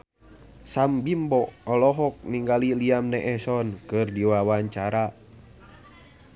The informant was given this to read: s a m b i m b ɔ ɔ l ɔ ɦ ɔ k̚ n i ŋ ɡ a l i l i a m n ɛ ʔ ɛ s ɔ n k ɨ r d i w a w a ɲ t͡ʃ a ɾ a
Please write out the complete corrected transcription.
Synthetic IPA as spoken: s a m b i m b ɔ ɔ l ɔ ɦ ɔ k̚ n i ŋ ɡ a l i l i a m n ɛ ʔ ɛ s ɔ n k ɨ r d i w a w a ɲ t͡ʃ a ɾ a